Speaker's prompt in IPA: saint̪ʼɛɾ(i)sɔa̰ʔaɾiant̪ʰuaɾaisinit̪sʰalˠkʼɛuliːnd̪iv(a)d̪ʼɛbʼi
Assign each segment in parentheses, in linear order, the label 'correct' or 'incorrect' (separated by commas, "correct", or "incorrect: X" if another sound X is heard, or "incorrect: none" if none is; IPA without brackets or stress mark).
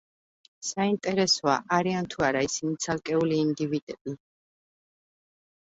incorrect: ɛ, incorrect: i